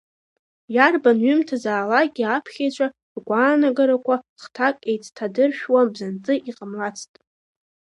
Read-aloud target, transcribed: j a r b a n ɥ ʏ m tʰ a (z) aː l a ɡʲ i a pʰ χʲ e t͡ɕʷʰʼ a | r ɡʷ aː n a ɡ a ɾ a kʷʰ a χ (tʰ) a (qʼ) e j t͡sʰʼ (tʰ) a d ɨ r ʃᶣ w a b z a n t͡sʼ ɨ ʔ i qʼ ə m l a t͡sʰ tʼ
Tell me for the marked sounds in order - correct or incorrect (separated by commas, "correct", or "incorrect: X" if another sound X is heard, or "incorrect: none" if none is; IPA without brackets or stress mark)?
correct, correct, incorrect: kʼ, correct